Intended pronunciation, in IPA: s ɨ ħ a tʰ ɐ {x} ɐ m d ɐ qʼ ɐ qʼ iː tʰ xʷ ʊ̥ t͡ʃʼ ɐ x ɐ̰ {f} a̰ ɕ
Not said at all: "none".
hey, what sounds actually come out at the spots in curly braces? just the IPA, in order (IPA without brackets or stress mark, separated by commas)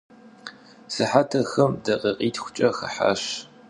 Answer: x, ħ